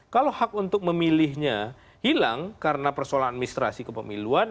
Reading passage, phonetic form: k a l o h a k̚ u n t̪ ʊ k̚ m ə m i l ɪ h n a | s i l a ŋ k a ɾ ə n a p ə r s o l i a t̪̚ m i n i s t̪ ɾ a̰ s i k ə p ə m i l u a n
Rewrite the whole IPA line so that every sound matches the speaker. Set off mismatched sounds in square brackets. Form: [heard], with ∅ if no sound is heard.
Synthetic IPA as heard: k a l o h a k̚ u n t̪ ʊ k̚ m ə m i l ɪ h [ɲ] a | [h] i l a ŋ k a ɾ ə n a p ə r s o l [a] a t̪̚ m i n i s t̪ ɾ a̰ s i k ə p ə m i l u a n